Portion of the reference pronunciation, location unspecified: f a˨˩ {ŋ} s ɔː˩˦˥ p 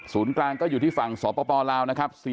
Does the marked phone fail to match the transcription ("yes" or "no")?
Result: no